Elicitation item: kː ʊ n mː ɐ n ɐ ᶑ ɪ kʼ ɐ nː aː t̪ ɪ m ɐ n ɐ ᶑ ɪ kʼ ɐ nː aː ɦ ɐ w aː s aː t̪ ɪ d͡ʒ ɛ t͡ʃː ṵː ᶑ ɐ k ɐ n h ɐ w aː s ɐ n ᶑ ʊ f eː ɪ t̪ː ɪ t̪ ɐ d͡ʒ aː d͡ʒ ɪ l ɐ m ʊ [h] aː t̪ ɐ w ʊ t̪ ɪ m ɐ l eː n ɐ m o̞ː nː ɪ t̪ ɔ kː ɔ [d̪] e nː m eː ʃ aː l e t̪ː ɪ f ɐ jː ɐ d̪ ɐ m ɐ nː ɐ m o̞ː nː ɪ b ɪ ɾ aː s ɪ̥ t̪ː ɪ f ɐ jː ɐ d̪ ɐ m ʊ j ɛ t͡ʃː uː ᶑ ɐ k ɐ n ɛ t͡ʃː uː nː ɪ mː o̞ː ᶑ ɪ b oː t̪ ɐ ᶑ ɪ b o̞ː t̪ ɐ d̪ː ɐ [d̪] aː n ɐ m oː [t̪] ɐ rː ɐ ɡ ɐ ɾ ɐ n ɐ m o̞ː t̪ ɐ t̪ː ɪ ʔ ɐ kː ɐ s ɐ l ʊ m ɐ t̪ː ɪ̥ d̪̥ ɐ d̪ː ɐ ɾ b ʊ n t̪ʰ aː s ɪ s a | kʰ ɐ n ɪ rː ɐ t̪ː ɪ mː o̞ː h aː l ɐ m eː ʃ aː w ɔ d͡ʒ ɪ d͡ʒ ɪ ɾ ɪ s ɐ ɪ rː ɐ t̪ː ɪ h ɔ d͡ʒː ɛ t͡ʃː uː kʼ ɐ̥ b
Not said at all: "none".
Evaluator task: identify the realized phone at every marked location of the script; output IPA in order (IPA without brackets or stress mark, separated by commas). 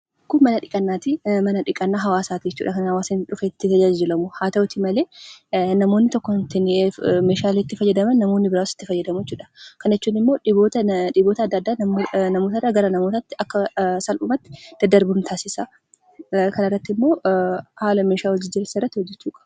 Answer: h, t̪, d̪ː, t̪